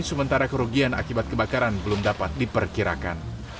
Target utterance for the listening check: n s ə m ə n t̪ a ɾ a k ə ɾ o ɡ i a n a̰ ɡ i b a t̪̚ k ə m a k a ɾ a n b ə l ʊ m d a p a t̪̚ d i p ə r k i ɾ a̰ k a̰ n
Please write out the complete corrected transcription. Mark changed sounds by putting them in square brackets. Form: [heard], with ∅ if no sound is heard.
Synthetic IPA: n s ə m ə n t̪ a ɾ a k ə ɾ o ɡ i a n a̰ [k] i b a t̪̚ k ə [b] a k a ɾ a n b ə l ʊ m d a p a t̪̚ d i p ə r k i ɾ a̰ k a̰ n